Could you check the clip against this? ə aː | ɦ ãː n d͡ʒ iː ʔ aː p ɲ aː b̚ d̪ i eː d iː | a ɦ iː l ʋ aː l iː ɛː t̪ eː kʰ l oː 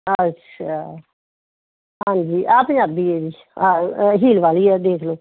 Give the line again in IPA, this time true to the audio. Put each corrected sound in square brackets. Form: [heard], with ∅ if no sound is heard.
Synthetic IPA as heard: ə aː | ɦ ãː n d͡ʒ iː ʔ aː p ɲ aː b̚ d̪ i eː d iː | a ɦ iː l ʋ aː l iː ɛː [d̪] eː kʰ l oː

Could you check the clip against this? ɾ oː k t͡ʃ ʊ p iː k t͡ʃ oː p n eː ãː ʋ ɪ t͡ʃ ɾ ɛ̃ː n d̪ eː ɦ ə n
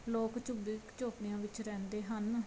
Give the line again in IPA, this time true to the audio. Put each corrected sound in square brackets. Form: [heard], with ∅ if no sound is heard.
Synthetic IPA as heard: [l] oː k t͡ʃ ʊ [b] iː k t͡ʃ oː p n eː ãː ʋ ɪ t͡ʃ ɾ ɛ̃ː n d̪ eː ɦ ə n

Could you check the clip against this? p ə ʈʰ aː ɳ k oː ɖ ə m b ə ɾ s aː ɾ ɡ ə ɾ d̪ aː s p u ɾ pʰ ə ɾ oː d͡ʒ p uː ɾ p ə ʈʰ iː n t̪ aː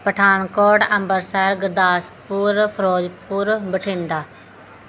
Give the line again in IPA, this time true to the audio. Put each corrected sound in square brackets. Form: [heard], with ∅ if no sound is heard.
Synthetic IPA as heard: p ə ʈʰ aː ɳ k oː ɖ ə m b ə ɾ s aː ɾ ɡ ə ɾ d̪ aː s p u ɾ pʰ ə ɾ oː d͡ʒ p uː ɾ [b] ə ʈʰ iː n [d̪] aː

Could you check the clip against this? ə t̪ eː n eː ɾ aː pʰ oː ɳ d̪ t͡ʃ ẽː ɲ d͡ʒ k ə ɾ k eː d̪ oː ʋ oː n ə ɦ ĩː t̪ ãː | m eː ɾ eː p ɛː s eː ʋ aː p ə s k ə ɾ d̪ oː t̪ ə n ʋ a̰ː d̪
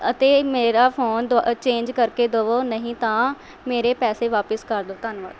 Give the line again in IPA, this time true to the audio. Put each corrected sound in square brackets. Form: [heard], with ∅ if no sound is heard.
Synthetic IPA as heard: ə t̪ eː [m] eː ɾ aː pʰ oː [n] d̪ t͡ʃ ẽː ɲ d͡ʒ k ə ɾ k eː d̪ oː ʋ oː n ə ɦ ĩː t̪ ãː | m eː ɾ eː p ɛː s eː ʋ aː p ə s k ə ɾ d̪ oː t̪ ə n ʋ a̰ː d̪

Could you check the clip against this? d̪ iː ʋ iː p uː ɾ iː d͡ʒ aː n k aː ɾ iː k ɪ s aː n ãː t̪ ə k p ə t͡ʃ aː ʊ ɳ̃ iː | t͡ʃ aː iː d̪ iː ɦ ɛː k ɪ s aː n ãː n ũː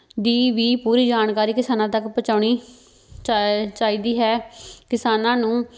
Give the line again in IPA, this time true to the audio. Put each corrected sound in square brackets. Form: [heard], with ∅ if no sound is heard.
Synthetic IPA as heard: d̪ iː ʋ iː p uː ɾ iː d͡ʒ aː n k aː ɾ iː k ɪ s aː n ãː t̪ ə k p ə t͡ʃ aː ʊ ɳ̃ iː | t͡ʃ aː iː d̪ iː ɦ ɛː k ɪ s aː n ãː n ũː

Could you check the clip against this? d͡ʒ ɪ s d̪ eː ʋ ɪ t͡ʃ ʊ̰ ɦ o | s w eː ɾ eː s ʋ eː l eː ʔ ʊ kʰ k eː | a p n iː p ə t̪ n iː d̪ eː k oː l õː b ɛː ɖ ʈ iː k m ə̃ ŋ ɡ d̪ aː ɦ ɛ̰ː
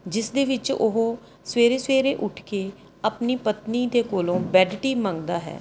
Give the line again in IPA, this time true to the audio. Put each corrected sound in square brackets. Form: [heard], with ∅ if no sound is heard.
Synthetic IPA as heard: d͡ʒ ɪ s d̪ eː ʋ ɪ t͡ʃ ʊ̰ ɦ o | s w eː ɾ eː s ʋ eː [ɾ] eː ʔ ʊ [ʈʰ] k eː | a p n iː p ə t̪ n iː d̪ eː k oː l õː b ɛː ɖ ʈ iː [∅] m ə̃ ŋ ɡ d̪ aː ɦ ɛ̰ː

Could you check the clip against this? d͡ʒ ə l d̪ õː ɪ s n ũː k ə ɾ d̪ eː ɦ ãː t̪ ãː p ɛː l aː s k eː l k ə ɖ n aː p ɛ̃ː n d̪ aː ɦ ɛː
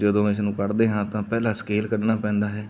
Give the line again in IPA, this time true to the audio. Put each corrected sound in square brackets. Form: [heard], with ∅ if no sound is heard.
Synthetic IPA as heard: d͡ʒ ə [∅] d̪ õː ɪ s n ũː k ə ɾ d̪ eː ɦ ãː t̪ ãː p ɛː l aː s k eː l k ə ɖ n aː p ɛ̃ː n d̪ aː ɦ ɛː

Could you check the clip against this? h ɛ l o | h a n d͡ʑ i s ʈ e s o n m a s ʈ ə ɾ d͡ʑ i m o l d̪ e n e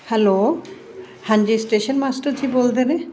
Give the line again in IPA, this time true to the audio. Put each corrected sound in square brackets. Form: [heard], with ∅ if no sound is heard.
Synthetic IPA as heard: h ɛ l o | h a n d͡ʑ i s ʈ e [ʃ] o n m a s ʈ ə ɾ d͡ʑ i [b] o l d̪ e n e

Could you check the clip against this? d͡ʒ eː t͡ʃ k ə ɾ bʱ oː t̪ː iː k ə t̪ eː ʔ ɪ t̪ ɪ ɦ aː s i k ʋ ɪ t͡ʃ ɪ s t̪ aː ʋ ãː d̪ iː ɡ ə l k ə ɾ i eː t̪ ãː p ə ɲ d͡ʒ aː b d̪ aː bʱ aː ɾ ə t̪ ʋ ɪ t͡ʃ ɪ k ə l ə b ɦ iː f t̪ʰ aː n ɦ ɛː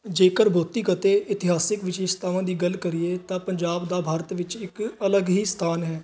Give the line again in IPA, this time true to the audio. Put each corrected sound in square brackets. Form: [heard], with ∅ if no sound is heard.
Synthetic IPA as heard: d͡ʒ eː [∅] k ə ɾ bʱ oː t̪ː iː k ə t̪ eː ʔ ɪ t̪ ɪ ɦ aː s [ɪ] k ʋ ɪ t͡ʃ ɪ s t̪ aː ʋ ãː d̪ iː ɡ ə l k ə ɾ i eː t̪ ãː p ə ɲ d͡ʒ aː b d̪ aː bʱ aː ɾ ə t̪ ʋ ɪ t͡ʃ ɪ k ə l ə [ɡ] ɦ iː [s] t̪ʰ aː n ɦ ɛː

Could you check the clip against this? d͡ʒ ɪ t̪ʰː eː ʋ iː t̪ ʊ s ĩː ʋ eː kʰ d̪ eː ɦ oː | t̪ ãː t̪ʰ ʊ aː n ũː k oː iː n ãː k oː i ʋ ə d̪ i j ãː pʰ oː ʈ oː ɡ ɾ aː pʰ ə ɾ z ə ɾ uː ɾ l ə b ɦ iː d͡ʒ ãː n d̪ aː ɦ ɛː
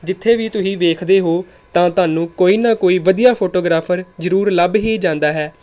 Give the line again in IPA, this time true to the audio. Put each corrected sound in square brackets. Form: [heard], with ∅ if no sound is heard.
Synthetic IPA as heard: d͡ʒ ɪ t̪ʰː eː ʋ iː t̪ ʊ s ĩː ʋ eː kʰ d̪ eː ɦ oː | t̪ ãː [t̪] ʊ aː n ũː k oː iː n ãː k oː [iː] ʋ ə d̪ i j [aː] pʰ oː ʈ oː ɡ ɾ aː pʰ ə ɾ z ə ɾ uː ɾ l ə b ɦ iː d͡ʒ ãː n d̪ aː ɦ ɛː

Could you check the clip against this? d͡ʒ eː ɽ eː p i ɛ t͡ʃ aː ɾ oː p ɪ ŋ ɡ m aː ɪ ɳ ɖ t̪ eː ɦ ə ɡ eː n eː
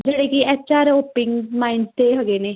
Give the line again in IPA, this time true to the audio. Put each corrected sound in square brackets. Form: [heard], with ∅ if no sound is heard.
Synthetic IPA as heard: d͡ʒ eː ɽ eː [k] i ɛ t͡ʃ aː ɾ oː p ɪ ŋ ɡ m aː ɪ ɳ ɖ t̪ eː ɦ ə ɡ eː n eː

